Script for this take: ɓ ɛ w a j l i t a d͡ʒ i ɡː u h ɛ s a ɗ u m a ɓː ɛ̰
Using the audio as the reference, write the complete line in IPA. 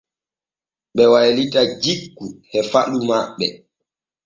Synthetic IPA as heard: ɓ ɛ w a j l i t a d͡ʒ i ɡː u h ɛ f a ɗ u m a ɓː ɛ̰